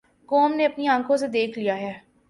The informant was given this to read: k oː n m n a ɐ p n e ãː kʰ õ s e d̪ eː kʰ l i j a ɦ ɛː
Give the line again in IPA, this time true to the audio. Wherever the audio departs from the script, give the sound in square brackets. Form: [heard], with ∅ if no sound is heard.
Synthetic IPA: k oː [∅] m n [e] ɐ p n [i] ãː kʰ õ s e d̪ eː kʰ l i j a ɦ ɛː